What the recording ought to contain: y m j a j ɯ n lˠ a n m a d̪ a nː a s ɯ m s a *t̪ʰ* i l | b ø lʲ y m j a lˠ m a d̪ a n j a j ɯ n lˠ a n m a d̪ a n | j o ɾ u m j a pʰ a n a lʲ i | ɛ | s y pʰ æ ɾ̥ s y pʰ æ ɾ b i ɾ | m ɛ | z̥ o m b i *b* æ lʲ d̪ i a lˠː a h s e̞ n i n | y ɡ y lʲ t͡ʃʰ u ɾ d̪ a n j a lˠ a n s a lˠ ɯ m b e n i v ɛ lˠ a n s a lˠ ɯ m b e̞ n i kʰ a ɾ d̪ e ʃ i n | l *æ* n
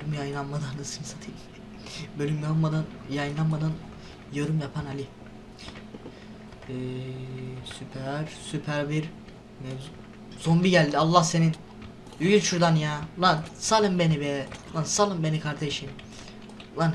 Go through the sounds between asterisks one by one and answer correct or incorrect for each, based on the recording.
correct, incorrect, incorrect

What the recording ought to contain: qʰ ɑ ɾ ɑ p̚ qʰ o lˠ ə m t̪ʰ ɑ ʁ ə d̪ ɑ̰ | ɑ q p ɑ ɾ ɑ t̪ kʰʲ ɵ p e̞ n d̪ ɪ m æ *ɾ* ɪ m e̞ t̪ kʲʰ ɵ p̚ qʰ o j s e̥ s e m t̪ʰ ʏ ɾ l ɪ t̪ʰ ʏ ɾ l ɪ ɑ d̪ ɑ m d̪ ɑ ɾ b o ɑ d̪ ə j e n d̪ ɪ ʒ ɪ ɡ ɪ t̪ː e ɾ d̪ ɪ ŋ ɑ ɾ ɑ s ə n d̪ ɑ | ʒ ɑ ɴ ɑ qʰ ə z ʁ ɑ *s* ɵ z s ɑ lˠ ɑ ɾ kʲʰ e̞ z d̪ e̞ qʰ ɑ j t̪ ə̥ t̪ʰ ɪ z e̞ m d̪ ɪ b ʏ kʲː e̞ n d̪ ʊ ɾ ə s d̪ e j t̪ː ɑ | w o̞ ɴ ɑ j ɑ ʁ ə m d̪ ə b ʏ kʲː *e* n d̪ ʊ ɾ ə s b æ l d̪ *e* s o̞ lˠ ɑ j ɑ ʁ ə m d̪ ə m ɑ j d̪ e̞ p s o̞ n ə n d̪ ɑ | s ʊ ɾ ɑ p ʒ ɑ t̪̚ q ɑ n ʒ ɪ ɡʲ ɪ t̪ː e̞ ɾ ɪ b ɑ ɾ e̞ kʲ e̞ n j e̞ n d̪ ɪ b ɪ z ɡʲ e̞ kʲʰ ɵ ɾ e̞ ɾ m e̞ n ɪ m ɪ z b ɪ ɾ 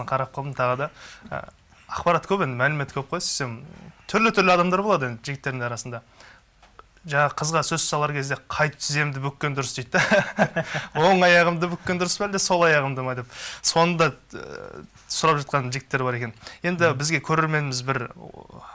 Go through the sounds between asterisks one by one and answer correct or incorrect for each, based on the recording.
incorrect, correct, correct, correct

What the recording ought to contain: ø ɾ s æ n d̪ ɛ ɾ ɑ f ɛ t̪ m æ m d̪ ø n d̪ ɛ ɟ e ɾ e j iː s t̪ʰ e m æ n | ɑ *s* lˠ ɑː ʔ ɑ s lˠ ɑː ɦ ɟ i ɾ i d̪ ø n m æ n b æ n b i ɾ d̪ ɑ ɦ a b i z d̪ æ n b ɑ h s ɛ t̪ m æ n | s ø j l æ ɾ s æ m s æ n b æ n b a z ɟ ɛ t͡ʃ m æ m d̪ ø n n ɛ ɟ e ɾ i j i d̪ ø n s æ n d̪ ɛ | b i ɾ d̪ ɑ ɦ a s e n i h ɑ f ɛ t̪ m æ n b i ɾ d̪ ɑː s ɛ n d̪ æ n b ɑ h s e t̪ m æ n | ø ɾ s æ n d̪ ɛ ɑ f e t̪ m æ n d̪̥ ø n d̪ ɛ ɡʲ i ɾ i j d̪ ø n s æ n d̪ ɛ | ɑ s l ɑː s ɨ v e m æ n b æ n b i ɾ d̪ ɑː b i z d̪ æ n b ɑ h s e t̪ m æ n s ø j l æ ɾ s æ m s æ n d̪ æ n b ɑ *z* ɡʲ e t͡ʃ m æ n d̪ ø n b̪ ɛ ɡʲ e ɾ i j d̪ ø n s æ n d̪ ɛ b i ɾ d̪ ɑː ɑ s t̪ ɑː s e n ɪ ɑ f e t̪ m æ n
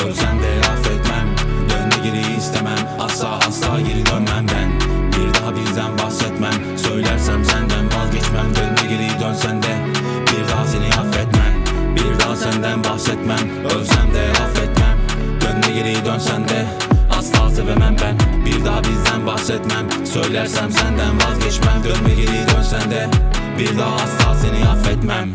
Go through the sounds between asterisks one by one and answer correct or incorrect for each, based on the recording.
correct, correct

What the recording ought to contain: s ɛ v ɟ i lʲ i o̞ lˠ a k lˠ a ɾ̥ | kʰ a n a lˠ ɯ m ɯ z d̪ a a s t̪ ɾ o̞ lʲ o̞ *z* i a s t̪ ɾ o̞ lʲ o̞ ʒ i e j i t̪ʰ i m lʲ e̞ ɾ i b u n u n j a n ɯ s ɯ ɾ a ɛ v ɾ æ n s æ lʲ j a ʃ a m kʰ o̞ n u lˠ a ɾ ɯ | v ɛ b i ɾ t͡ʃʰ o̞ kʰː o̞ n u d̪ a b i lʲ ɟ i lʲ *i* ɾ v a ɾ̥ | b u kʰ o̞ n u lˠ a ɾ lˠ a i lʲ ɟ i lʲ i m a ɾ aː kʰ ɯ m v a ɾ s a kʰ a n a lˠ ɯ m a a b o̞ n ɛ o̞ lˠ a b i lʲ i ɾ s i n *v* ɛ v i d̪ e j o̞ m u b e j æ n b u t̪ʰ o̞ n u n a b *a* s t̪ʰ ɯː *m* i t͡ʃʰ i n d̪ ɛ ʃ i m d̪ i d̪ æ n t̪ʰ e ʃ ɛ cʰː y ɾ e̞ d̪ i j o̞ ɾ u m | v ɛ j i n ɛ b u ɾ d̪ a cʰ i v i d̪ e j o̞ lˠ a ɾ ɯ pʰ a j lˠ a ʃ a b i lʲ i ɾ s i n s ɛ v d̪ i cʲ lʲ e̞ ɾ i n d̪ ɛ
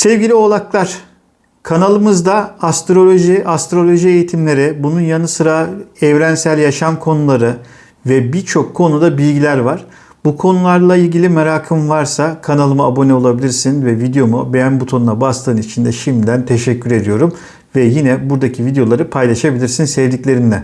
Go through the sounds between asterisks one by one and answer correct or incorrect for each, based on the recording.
incorrect, incorrect, correct, correct, incorrect

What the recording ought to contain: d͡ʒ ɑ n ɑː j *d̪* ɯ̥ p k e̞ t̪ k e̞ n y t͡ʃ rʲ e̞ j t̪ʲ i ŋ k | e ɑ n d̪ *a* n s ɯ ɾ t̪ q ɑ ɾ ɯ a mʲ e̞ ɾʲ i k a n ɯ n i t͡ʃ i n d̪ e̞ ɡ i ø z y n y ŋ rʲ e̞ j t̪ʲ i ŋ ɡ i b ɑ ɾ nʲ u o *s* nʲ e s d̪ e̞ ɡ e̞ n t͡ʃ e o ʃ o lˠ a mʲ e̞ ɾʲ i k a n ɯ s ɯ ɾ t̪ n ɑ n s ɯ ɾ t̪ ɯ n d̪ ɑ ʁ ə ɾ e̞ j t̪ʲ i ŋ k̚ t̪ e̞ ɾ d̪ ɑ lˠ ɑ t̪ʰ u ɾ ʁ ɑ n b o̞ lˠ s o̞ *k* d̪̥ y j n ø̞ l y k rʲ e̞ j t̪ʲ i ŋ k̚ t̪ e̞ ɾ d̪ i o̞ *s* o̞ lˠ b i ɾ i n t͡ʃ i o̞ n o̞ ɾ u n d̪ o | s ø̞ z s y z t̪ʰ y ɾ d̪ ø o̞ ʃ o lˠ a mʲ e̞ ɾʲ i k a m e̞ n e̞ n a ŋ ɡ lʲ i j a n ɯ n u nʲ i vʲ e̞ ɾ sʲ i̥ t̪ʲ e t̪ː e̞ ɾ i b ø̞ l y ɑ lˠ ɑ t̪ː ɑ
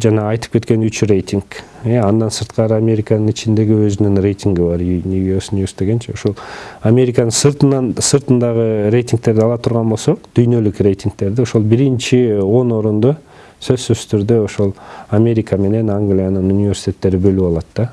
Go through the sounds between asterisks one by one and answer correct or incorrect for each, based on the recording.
incorrect, incorrect, correct, incorrect, incorrect

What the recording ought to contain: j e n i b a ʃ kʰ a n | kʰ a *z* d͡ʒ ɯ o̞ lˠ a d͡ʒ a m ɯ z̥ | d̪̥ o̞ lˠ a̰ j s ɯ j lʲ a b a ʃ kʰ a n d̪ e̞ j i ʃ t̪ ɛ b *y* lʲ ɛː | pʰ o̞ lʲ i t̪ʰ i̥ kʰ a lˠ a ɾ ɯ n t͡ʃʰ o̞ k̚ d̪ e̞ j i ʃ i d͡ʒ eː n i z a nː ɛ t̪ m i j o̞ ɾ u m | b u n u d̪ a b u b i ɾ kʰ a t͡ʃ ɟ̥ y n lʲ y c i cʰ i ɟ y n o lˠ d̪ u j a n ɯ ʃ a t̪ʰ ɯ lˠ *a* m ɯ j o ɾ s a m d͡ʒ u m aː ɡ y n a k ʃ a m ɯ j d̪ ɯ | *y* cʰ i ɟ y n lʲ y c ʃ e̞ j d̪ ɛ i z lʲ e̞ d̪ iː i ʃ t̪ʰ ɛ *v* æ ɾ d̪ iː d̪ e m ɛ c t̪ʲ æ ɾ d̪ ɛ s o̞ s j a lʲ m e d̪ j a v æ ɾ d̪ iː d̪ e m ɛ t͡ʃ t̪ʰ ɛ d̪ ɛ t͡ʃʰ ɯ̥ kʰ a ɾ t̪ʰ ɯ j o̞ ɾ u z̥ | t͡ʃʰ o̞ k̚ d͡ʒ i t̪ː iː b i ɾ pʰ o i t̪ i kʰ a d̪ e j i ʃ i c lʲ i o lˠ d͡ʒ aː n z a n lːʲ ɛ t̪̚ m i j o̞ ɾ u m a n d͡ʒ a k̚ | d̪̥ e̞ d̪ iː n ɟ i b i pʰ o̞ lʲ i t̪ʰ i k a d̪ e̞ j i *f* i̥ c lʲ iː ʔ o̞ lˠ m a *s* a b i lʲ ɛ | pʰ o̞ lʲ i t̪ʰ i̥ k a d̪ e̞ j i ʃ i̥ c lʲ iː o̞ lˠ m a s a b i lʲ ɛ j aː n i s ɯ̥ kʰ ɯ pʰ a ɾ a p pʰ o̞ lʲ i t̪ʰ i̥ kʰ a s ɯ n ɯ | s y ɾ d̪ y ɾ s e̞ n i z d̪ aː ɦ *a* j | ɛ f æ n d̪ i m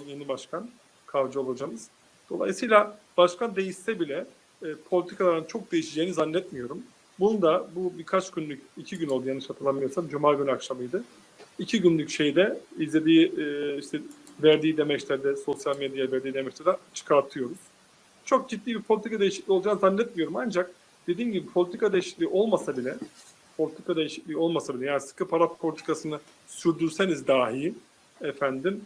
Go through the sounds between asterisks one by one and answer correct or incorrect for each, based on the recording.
incorrect, incorrect, correct, incorrect, correct, incorrect, correct, incorrect

